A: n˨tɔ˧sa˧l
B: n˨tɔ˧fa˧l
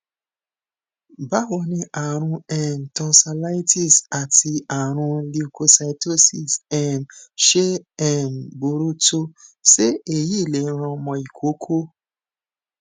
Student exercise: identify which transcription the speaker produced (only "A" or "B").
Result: A